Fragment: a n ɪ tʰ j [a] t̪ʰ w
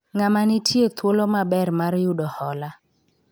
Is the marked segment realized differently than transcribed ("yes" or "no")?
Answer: yes